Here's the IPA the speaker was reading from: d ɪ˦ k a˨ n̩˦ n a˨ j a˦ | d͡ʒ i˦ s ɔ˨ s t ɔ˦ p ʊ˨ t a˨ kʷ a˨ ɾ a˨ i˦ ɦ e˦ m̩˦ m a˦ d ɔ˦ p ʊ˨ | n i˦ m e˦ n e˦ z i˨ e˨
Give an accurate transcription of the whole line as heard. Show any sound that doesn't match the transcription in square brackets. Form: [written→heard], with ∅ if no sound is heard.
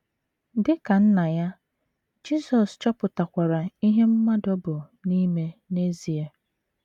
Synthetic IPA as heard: d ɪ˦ k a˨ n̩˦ n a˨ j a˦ | d͡ʒ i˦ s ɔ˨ s [t→t͡ʃ] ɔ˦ p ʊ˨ t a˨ kʷ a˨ ɾ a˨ i˦ ɦ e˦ m̩˦ m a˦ d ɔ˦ [p→b] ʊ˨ | n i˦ m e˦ n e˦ z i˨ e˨